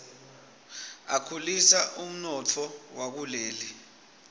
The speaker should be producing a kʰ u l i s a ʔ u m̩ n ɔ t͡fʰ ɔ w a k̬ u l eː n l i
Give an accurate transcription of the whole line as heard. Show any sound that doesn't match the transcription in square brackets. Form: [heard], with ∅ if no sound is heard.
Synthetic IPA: a kʰ u l i s a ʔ u m̩ n ɔ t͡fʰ ɔ w a k̬ u l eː [∅] l i